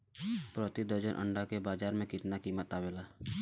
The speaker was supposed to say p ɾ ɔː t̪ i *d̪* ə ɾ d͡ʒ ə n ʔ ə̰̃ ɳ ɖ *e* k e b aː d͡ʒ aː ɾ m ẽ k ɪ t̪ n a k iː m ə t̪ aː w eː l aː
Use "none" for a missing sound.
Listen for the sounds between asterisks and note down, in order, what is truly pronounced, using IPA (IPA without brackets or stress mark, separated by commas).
d̪, a